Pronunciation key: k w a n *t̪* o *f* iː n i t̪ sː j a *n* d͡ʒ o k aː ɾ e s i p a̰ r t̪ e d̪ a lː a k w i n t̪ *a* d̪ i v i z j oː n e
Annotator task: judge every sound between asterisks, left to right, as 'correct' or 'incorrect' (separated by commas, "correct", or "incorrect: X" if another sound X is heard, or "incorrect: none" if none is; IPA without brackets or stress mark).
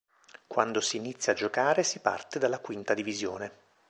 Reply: incorrect: d̪, incorrect: s, incorrect: none, correct